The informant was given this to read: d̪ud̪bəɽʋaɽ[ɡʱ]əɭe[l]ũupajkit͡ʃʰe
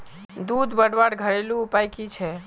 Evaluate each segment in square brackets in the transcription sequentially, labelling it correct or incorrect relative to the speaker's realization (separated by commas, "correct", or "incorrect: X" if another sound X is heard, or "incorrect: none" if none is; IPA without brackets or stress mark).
correct, correct